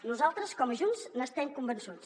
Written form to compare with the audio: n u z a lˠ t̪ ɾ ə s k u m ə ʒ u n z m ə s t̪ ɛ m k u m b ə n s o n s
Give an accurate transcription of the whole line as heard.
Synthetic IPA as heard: n u z a lˠ t̪ ɾ ə s k ɔ m ə ʒ u n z n ə s t̪ ɛ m k u m b ə n s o n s